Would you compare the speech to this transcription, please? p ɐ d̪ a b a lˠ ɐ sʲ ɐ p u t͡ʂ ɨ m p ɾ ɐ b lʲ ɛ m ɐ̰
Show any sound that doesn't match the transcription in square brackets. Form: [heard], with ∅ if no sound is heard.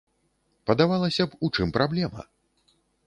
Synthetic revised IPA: p ɐ d̪ a [v] a lˠ ɐ sʲ ɐ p u t͡ʂ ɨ m p ɾ [a] b lʲ ɛ m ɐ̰

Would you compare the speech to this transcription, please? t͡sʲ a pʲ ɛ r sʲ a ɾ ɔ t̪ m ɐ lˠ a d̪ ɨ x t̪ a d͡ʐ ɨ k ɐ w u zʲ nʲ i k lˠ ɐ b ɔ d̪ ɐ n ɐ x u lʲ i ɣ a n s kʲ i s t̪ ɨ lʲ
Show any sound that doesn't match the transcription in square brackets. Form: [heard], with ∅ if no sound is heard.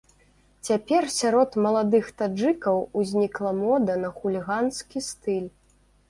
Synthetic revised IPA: t͡sʲ a pʲ ɛ r sʲ a ɾ ɔ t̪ m ɐ lˠ a d̪ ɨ x t̪ a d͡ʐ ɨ k ɐ w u zʲ nʲ i k lˠ ɐ [m] ɔ d̪ ɐ n ɐ x u lʲ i ɣ a n s kʲ i s t̪ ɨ lʲ

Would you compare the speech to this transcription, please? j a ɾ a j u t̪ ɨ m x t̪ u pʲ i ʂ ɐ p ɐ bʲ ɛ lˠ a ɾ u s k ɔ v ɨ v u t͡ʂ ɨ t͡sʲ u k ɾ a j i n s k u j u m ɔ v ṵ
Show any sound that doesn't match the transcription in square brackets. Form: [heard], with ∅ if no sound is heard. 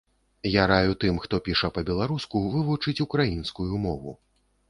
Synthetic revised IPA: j a ɾ a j u t̪ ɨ m x t̪ [ɔ] pʲ i ʂ ɐ p ɐ bʲ ɛ lˠ a ɾ u s k [u] v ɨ v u t͡ʂ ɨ t͡sʲ u k ɾ a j i n s k u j u m ɔ v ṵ

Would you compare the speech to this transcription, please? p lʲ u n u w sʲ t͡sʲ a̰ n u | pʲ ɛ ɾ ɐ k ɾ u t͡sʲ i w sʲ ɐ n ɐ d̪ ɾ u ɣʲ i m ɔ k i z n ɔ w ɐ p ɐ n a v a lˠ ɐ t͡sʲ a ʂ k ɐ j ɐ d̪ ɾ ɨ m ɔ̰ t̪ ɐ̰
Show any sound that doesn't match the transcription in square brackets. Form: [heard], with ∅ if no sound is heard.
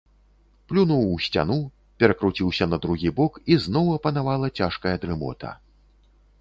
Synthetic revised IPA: p lʲ u n u w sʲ t͡sʲ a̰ n u | pʲ ɛ ɾ ɐ k ɾ u t͡sʲ i w sʲ ɐ n ɐ d̪ ɾ u ɣʲ i [b] ɔ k i z n ɔ w ɐ p ɐ n a v a lˠ ɐ t͡sʲ a ʂ k ɐ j ɐ d̪ ɾ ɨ m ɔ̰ t̪ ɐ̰

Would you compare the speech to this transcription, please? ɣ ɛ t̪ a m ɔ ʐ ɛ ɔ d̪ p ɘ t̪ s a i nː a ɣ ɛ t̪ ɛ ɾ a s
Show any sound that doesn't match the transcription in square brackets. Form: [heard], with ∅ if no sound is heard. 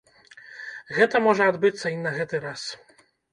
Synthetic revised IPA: ɣ ɛ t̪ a m ɔ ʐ ɛ ɔ d̪ [b] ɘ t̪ s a i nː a ɣ ɛ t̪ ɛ ɾ a s

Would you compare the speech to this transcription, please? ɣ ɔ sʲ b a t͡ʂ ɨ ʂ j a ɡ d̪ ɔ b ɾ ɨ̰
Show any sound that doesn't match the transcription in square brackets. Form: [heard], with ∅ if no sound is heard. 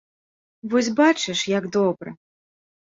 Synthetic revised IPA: [v] ɔ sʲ b a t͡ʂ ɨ ʂ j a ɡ d̪ ɔ b ɾ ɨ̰

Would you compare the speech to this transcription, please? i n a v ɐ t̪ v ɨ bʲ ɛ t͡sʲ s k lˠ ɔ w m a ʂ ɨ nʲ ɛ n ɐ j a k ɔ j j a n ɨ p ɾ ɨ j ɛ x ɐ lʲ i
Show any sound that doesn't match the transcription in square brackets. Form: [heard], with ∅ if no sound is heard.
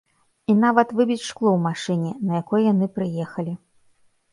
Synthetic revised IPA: i n a v ɐ t̪ v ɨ bʲ [i] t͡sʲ [ʂ] k lˠ ɔ w m a ʂ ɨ nʲ ɛ n ɐ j a k ɔ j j a n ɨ p ɾ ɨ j ɛ x ɐ lʲ i

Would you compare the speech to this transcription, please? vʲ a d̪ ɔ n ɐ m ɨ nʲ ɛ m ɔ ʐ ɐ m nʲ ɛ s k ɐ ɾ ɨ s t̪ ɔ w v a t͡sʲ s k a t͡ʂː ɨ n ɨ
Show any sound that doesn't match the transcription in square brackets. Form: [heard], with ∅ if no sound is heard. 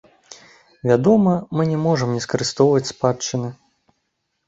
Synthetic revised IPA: vʲ a d̪ ɔ [m] ɐ m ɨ nʲ ɛ m ɔ ʐ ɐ m nʲ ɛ s k ɐ ɾ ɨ s t̪ ɔ w v [ɐ] t͡sʲ s [p] a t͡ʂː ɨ n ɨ

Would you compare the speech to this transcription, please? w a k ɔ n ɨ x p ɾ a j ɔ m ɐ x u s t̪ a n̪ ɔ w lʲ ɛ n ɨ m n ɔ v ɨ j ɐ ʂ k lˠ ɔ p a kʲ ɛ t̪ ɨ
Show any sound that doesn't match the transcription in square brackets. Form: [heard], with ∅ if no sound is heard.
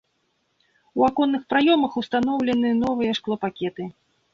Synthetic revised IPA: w a k ɔ [nː] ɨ x p ɾ a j ɔ m ɐ x u s t̪ a n̪ ɔ w lʲ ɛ n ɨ [∅] n ɔ v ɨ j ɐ ʂ k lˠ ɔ p a kʲ ɛ t̪ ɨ

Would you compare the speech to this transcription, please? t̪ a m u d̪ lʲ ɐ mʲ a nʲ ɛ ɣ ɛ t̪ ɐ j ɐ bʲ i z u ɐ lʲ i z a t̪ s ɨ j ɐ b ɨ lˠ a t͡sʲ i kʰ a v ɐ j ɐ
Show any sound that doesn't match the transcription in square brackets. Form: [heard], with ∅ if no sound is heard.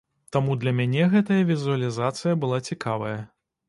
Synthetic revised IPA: t̪ a m u d̪ lʲ ɐ mʲ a nʲ ɛ ɣ ɛ t̪ ɐ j ɐ [vʲ] i z u ɐ lʲ i z a t̪ s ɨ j ɐ b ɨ lˠ a t͡sʲ i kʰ a v ɐ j ɐ

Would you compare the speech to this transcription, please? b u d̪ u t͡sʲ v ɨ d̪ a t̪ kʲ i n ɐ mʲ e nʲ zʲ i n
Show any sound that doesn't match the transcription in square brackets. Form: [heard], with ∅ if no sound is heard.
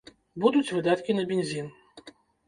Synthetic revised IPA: b u d̪ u t͡sʲ v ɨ d̪ a t̪ kʲ i n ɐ [bʲ] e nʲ zʲ i n

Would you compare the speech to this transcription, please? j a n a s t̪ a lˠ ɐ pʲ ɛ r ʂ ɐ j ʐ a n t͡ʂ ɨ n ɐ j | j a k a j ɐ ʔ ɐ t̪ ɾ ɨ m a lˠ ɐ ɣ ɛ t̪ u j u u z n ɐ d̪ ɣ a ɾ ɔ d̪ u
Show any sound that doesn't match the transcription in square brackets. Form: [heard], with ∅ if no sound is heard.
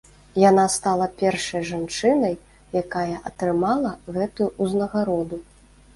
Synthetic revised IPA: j a n a s t̪ a lˠ ɐ pʲ ɛ r ʂ ɐ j ʐ a n t͡ʂ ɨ n ɐ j | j a k a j ɐ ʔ ɐ t̪ ɾ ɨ m a lˠ ɐ ɣ ɛ t̪ u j u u z n ɐ [∅] ɣ a ɾ ɔ d̪ u

